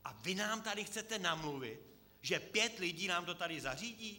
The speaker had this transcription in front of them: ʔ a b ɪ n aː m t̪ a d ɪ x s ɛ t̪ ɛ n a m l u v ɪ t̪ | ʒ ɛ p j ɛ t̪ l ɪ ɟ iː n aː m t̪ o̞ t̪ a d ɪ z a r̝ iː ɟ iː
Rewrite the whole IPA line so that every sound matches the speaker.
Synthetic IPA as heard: ʔ a v ɪ n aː m t̪ a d ɪ x t͡s ɛ t̪ ɛ n a m l u v ɪ t̪ | ʒ ɛ p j ɛ t̪ l ɪ ɟ iː n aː m t̪ o̞ t̪ a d ɪ z a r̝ iː ɟ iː